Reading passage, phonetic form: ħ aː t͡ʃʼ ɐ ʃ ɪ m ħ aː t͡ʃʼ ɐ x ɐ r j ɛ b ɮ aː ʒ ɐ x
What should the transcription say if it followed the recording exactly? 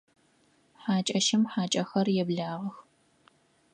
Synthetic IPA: ħ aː t͡ʃʼ ɐ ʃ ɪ m ħ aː t͡ʃʼ ɐ x ɐ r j ɛ b ɮ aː ʁ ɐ x